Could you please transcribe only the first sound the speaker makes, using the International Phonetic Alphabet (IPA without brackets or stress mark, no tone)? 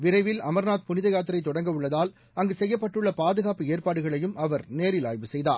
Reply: ʋ